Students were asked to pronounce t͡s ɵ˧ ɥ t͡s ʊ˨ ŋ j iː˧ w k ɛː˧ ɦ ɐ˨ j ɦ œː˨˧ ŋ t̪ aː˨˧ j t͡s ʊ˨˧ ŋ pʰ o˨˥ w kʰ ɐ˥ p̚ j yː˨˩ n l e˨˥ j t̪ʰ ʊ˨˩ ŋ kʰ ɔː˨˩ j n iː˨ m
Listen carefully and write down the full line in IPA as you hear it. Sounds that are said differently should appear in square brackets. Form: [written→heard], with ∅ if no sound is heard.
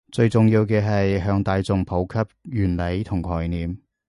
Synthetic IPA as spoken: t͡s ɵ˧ ɥ t͡s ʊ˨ ŋ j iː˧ w k ɛː˧ ɦ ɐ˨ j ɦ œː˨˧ ŋ t̪ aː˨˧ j t͡s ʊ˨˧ ŋ pʰ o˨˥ w kʰ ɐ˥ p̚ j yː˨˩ n l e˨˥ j t̪ʰ ʊ˨˩ ŋ kʰ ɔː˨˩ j n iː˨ m